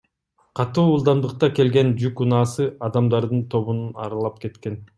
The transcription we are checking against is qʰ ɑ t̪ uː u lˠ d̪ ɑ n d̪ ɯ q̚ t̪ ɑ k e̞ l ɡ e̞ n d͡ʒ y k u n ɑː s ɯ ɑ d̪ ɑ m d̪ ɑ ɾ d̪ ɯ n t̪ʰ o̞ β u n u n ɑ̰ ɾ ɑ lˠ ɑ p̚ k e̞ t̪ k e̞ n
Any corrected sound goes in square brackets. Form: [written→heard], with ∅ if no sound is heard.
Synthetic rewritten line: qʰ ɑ t̪ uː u lˠ d̪ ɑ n d̪ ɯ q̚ t̪ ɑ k e̞ l ɡ e̞ n d͡ʒ y k u n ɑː s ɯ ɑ d̪ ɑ m d̪ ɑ ɾ d̪ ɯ n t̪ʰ o̞ β u n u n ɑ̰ ɾ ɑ lˠ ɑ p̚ k e̞ t̪ k e̞ n